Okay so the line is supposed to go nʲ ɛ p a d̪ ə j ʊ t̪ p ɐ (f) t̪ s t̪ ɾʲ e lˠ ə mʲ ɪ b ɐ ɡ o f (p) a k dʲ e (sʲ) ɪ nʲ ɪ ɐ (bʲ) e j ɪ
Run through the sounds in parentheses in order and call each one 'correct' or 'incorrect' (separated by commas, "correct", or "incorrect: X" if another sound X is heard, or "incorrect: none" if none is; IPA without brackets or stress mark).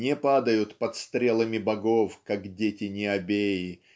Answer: incorrect: none, incorrect: k, incorrect: tʲ, correct